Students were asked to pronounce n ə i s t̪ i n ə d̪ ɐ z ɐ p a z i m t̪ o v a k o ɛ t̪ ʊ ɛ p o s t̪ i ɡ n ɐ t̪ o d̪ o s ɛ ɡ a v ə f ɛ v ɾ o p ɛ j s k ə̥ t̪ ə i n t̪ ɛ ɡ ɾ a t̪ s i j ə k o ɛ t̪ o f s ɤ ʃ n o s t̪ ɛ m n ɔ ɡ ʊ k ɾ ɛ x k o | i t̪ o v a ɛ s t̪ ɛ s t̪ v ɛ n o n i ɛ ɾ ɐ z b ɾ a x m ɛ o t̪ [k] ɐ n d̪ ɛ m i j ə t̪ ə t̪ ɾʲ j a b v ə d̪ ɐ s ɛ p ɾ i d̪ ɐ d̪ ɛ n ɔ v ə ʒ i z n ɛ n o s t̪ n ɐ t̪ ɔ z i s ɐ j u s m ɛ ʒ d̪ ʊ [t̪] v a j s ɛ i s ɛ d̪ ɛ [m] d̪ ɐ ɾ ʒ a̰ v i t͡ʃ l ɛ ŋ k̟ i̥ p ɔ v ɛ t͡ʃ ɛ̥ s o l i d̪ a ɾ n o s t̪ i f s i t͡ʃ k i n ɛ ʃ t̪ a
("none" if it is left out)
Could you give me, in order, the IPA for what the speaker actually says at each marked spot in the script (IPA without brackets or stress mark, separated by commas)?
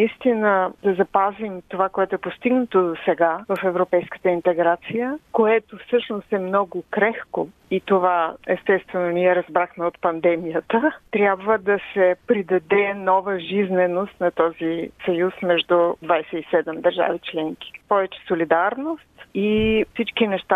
p, d̪, m